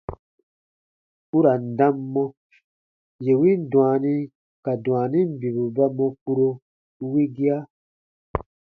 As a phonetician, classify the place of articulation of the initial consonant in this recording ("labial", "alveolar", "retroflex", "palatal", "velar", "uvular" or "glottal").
alveolar